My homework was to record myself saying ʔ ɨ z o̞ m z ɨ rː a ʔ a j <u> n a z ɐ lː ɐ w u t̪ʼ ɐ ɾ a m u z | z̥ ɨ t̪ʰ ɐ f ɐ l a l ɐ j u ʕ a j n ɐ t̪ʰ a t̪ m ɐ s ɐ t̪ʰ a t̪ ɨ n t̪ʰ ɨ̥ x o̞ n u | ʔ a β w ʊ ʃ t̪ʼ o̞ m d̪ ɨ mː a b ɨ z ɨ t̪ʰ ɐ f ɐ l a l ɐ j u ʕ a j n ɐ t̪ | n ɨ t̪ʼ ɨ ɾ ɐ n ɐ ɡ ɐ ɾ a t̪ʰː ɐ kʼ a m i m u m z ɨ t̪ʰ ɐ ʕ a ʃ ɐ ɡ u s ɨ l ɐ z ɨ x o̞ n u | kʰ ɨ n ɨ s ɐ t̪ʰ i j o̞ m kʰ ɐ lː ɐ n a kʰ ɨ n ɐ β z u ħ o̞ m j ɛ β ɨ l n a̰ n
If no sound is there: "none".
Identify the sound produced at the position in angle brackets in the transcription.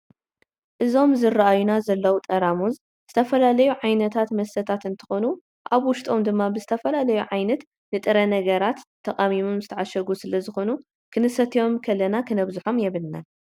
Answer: u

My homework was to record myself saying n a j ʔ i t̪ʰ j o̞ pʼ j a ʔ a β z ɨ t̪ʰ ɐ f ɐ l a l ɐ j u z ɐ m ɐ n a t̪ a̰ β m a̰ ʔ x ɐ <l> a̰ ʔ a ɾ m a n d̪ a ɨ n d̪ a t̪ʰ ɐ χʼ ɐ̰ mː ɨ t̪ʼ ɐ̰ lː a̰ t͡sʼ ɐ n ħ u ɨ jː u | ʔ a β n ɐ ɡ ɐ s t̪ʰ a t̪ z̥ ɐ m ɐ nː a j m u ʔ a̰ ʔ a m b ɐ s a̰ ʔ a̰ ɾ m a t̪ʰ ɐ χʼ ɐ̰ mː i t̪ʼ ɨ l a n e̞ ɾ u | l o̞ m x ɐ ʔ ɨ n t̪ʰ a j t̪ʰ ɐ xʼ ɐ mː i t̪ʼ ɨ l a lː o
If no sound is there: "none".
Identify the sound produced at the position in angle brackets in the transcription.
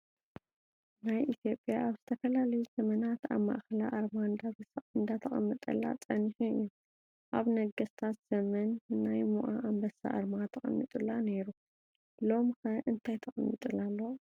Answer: l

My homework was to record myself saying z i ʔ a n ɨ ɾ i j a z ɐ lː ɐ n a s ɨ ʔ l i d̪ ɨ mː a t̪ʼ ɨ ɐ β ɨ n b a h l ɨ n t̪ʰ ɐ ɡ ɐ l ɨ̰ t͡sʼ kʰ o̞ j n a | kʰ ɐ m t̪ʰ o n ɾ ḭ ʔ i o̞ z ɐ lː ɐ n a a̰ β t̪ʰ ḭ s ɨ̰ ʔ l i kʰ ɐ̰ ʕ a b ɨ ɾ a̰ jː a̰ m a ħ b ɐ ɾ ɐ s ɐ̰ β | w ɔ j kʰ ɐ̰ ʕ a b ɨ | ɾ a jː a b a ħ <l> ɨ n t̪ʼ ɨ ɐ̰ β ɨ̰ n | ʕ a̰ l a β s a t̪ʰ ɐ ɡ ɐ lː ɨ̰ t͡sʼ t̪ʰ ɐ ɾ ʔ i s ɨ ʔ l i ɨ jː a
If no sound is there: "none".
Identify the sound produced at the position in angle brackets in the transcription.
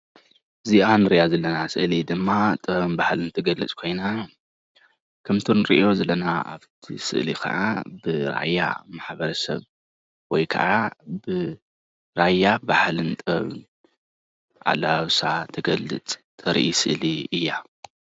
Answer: l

